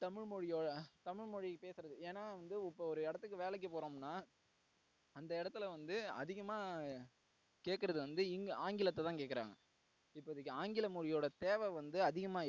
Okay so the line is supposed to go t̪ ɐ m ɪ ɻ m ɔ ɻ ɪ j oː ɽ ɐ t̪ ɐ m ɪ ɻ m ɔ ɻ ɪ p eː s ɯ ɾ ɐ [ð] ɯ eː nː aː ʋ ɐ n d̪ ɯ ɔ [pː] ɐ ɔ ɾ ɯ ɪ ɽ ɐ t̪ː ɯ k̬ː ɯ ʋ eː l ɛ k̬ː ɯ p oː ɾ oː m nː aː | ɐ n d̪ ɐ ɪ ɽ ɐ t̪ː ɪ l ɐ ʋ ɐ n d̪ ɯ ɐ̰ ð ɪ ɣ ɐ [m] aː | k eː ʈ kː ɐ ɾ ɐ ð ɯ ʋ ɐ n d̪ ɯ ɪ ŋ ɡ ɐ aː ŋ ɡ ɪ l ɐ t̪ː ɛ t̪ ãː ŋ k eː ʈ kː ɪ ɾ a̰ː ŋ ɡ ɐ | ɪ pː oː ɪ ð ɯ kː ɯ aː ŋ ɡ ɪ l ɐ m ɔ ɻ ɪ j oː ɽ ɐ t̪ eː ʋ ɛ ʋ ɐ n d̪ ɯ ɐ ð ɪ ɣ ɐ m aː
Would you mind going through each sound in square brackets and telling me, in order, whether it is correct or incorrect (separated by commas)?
correct, correct, correct